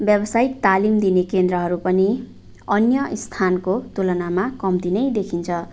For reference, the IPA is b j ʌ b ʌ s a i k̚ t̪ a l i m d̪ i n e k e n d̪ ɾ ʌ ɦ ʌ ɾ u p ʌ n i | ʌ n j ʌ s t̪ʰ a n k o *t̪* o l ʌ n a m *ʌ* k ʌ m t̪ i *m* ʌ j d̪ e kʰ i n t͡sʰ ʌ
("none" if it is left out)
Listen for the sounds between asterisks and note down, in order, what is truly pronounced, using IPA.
t̪, a, n

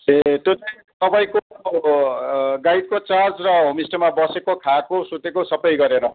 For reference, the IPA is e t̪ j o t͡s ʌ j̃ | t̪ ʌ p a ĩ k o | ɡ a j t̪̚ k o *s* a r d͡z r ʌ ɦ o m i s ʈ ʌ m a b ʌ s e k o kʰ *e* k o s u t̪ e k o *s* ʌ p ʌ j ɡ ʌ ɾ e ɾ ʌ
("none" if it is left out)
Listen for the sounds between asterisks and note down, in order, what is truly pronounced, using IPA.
t͡s, a, s

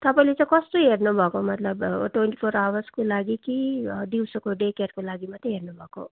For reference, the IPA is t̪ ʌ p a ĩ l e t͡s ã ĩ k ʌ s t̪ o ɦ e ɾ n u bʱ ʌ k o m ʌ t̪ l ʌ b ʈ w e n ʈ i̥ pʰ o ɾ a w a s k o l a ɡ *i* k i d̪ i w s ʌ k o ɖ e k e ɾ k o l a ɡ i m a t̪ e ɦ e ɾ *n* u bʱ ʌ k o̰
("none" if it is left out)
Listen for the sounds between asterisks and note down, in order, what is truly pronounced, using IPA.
i, n

